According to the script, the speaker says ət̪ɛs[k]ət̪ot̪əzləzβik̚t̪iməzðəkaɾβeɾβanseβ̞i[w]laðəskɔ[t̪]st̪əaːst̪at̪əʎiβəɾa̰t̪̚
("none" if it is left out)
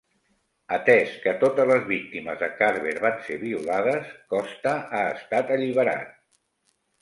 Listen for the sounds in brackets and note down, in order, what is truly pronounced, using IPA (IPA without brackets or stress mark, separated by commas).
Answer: k, u, none